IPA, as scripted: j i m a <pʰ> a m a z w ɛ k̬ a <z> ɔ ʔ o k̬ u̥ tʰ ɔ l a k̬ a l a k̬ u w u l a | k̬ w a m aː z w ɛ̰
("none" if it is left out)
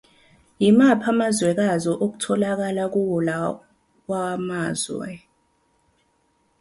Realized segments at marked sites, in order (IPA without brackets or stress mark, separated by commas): pʰ, z